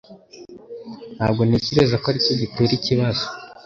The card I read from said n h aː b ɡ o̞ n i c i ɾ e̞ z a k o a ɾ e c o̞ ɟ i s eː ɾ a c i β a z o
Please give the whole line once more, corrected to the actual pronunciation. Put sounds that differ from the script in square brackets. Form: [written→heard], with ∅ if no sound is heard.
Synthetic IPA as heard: n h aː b ɡ o̞ n i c i ɾ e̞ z a k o a ɾ [e→i] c o̞ ɟ i [s→t] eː ɾ [a→i] c i β a z o